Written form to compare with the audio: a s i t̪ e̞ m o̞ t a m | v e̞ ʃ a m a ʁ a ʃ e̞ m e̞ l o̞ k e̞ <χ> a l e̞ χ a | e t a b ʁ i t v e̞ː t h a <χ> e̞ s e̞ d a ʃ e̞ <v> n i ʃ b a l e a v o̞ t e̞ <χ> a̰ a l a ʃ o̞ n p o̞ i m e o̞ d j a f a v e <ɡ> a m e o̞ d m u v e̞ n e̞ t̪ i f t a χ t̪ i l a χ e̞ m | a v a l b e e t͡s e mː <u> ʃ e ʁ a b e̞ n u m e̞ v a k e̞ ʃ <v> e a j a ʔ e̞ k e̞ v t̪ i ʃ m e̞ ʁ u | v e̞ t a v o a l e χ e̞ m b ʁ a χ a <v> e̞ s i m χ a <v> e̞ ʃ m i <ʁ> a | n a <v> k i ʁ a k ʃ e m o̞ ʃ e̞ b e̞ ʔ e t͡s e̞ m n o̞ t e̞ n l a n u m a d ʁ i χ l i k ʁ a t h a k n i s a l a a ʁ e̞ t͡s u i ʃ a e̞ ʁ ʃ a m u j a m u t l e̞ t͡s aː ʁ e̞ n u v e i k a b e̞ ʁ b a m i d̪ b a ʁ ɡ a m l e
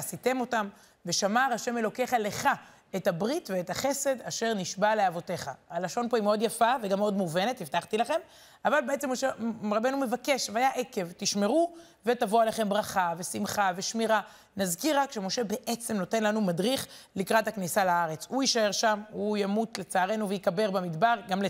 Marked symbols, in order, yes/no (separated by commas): yes, yes, no, yes, yes, no, yes, yes, yes, yes, no